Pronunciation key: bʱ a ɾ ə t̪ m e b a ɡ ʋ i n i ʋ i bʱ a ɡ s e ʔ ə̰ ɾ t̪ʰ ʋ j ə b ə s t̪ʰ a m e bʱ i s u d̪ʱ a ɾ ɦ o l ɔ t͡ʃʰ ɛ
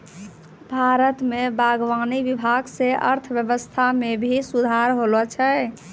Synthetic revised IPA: bʱ a ɾ ə t̪ m e b a ɡ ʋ a n i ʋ i bʱ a ɡ s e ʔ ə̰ ɾ t̪ʰ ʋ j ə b ə s t̪ʰ a m e bʱ i s u d̪ʱ a ɾ ɦ o l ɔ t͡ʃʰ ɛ